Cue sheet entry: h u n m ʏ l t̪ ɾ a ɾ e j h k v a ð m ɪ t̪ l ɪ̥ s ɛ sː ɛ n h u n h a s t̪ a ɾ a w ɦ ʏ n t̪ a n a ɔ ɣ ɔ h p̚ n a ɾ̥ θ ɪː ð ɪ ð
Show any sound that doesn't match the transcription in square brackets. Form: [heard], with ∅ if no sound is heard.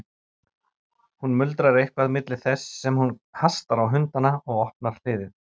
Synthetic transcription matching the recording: h u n m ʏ l t̪ ɾ a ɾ e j h k v a ð m ɪ t̪ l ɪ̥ [θ] ɛ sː ɛ [m] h u n h a s t̪ a ɾ a w ɦ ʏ n t̪ a n a ɔ ɣ ɔ h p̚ n a ɾ̥ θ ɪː ð ɪ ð